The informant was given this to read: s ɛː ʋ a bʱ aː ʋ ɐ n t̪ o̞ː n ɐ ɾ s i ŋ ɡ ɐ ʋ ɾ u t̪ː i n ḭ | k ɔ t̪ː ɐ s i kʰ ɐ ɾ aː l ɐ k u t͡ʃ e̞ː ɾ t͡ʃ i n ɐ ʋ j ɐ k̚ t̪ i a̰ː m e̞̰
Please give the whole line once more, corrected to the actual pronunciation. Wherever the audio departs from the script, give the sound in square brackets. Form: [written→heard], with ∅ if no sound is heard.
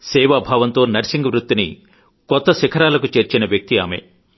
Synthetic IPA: s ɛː ʋ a bʱ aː ʋ ɐ n t̪ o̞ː n ɐ ɾ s i ŋ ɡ ɐ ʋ ɾ u t̪ː i n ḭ | k ɔ t̪ː ɐ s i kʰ ɐ ɾ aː l ɐ k u t͡ʃ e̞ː ɾ t͡ʃ i n ɐ ʋ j ɐ k̚ t̪ i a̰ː m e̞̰